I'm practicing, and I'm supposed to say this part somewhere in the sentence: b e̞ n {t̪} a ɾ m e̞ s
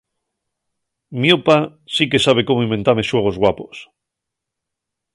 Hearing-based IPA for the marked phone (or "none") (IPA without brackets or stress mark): t̪